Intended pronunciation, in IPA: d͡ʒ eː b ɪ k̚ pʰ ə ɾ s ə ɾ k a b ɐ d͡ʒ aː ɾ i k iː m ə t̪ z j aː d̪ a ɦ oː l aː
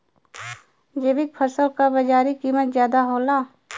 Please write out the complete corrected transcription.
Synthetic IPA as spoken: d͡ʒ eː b ɪ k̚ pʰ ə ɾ s ə l k a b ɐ d͡ʒ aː ɾ i k iː m ə t̪ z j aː d̪ a ɦ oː l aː